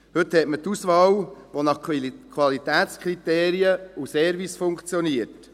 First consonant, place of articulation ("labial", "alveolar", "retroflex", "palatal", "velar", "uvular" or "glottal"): glottal